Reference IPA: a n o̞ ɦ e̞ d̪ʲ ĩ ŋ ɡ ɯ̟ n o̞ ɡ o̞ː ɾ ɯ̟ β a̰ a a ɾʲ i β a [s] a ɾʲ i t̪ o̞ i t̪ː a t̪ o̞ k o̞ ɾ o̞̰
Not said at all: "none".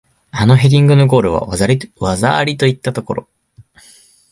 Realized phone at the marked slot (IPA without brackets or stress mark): z